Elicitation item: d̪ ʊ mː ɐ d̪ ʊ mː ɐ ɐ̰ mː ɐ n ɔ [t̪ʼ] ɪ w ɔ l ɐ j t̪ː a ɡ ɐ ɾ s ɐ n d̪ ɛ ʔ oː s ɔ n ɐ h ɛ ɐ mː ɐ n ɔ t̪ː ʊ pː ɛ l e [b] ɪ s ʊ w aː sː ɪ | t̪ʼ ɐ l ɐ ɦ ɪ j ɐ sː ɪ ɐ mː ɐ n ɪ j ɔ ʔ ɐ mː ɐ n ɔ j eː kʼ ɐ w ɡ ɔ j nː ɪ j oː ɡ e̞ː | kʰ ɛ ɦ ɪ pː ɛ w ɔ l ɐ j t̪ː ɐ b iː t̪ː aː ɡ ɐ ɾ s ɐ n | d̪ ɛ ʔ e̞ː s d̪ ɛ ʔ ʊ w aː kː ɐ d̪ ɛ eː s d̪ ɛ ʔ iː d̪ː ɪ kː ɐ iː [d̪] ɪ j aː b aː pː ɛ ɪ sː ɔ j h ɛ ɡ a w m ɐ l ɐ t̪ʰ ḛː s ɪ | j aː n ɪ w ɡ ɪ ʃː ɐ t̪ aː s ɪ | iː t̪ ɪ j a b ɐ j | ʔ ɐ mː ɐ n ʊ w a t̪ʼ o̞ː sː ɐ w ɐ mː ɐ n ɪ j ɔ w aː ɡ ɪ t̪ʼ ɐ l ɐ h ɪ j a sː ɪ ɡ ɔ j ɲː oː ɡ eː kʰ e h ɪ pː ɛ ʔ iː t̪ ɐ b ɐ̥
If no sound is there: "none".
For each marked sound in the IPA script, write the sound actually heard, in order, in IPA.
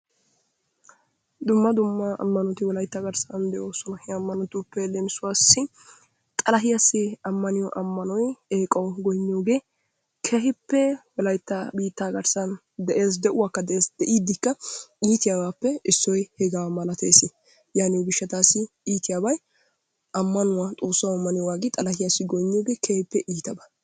t̪, m, t̪

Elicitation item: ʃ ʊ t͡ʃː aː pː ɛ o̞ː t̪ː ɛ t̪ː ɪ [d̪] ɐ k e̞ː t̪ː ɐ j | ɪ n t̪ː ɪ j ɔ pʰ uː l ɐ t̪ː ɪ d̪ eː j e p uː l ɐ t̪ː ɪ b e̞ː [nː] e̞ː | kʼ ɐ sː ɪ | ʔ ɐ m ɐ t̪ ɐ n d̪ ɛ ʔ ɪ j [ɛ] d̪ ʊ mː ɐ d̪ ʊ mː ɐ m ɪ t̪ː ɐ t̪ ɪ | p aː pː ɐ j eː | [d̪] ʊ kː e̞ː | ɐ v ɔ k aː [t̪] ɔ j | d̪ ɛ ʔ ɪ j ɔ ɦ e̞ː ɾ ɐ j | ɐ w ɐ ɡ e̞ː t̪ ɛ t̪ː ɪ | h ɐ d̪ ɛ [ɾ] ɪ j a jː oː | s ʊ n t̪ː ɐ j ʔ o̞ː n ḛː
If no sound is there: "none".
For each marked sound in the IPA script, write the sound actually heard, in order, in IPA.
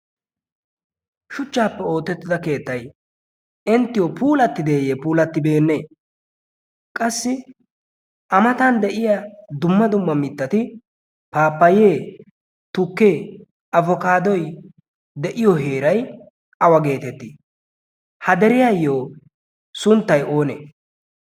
d̪, nː, a, t̪, d̪, ɾ

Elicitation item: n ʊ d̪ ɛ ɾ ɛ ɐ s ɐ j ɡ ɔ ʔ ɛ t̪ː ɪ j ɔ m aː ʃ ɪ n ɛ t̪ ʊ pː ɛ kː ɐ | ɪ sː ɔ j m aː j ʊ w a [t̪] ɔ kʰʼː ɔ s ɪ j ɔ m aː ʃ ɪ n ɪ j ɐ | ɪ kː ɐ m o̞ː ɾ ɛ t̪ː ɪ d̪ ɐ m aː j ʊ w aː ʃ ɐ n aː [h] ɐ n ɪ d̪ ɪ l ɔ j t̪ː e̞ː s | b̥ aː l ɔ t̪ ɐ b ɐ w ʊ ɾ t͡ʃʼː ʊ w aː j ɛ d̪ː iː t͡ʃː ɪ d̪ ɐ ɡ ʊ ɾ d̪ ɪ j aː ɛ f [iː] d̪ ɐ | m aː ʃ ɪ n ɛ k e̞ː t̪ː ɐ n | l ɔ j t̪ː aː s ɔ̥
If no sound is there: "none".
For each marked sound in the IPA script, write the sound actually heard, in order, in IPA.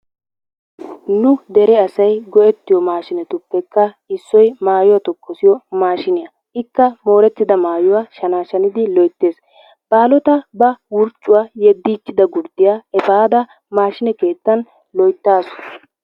t̪, ʃ, aː

